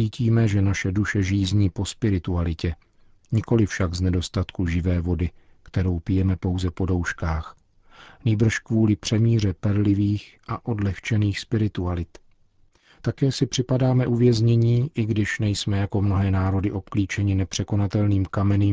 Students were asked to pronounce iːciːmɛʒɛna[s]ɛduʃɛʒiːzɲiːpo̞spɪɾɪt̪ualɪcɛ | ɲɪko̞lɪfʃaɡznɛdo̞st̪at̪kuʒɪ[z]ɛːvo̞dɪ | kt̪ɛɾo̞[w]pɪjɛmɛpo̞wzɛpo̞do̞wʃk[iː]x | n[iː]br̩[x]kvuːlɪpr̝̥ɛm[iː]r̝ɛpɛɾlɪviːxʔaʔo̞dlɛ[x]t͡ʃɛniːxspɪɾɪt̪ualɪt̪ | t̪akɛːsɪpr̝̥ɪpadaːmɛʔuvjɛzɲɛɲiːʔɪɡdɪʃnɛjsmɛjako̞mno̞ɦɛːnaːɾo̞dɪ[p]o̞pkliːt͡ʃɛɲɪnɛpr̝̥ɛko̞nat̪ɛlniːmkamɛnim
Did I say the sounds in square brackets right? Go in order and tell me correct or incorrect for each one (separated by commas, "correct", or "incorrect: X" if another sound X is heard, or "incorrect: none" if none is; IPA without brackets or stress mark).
incorrect: ʃ, incorrect: v, correct, incorrect: aː, correct, incorrect: ʃ, correct, correct, incorrect: ʔ